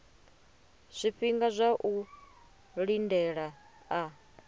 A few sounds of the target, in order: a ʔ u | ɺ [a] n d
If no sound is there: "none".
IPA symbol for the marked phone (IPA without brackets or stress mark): i